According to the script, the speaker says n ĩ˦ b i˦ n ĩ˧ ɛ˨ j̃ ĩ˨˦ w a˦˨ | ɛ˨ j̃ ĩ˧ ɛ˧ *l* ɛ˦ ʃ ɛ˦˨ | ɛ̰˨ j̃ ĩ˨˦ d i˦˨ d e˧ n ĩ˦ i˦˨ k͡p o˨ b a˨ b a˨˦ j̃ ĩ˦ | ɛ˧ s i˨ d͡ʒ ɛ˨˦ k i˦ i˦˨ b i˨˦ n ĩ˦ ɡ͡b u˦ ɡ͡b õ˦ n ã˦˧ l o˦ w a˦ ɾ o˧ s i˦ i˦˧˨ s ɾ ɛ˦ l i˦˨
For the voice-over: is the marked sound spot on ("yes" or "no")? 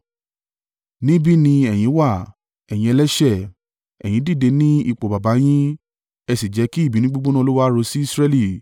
yes